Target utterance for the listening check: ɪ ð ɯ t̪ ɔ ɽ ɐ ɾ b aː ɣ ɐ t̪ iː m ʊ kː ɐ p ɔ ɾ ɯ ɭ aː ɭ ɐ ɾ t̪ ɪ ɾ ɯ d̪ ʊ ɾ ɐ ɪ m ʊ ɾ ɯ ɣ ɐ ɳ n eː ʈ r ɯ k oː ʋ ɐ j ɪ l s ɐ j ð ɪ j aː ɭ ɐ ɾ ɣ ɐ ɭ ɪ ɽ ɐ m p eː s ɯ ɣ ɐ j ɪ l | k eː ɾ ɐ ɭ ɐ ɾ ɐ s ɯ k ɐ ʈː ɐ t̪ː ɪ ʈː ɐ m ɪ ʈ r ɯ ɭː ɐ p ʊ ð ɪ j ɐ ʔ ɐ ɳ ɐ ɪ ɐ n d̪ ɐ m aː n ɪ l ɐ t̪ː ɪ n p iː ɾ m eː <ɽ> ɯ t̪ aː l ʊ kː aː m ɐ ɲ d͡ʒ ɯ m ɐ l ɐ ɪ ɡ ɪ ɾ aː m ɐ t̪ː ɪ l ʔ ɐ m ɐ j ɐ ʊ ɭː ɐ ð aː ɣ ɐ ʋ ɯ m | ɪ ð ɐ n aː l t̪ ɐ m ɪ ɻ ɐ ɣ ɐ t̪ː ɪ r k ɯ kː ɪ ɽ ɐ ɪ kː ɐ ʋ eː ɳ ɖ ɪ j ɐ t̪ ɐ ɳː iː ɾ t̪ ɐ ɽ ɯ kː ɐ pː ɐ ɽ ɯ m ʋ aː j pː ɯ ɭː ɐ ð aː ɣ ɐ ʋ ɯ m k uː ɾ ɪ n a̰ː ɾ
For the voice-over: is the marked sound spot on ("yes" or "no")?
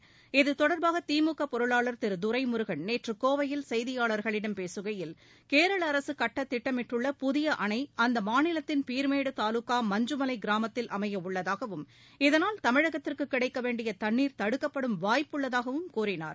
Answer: yes